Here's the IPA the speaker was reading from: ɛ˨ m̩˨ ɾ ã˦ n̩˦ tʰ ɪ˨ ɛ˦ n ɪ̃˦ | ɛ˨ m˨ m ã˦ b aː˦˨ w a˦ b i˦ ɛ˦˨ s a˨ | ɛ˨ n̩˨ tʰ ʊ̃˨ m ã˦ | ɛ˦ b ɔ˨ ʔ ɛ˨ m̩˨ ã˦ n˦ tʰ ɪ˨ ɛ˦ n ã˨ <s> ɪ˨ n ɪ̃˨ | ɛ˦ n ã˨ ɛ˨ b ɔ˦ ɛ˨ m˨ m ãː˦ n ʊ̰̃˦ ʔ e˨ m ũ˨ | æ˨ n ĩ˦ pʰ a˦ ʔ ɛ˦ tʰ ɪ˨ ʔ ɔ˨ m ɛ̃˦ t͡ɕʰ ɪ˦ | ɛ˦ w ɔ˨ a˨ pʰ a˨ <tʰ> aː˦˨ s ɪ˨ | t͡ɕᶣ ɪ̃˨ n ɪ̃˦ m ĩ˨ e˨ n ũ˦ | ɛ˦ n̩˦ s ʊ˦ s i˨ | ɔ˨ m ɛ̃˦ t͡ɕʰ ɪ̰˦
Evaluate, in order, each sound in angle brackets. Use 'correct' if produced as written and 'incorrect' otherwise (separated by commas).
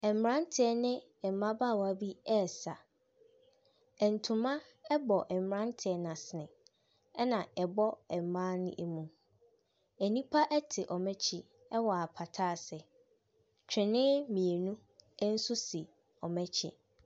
correct, correct